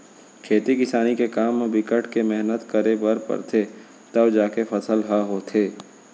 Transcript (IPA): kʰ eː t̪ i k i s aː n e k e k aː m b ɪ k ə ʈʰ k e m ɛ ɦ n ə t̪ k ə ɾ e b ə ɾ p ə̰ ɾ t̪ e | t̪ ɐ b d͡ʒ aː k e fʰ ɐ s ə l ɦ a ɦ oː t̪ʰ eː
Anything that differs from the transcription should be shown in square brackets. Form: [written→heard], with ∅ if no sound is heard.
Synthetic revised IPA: kʰ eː t̪ i k [i→ɪ] s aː n [e→i] k e k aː m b ɪ k ə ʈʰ k e m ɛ ɦ n ə t̪ k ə ɾ e b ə ɾ p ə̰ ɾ [t̪→t̪ʰ] e | t̪ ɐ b d͡ʒ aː k e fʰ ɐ s ə l ɦ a ɦ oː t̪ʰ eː